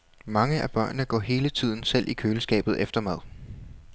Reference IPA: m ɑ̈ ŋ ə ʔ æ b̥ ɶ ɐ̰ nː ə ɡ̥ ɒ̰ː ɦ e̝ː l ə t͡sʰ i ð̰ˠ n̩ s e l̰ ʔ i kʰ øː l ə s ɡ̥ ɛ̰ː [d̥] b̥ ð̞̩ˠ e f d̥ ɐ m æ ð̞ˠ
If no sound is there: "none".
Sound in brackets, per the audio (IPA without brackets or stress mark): none